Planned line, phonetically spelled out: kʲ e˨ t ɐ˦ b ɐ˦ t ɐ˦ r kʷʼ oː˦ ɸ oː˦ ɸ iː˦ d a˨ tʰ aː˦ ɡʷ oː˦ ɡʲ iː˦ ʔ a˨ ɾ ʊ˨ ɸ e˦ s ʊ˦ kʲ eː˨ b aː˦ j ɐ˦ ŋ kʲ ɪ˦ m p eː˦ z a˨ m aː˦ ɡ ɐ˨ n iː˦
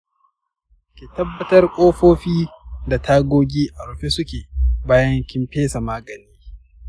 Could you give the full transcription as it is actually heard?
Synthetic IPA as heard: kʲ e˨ t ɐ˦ bː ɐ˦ t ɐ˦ r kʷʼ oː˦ ɸ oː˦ ɸ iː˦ d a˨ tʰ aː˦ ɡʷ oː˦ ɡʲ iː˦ ʔ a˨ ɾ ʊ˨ ɸ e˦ s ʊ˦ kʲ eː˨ b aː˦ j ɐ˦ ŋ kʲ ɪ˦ m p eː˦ s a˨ m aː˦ ɡ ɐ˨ n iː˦